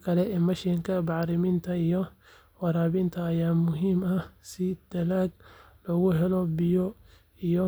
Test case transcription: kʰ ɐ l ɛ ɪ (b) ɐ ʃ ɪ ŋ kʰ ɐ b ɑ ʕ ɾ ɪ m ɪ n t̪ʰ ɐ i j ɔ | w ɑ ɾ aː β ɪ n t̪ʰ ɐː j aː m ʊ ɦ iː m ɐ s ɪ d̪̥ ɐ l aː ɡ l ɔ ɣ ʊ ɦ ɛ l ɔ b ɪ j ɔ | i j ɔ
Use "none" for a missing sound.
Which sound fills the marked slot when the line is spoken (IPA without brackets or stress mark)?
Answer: m